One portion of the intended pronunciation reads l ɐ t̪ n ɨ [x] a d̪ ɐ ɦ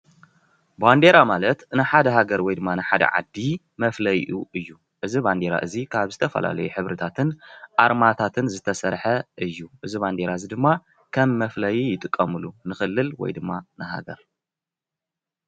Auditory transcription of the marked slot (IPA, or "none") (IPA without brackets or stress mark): ħ